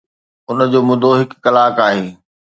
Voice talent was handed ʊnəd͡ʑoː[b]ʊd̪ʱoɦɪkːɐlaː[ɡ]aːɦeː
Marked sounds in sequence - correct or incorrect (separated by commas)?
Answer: incorrect, incorrect